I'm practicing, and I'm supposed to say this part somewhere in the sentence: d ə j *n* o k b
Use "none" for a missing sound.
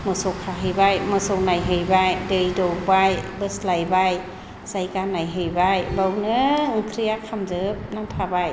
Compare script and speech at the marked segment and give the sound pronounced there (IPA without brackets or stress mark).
d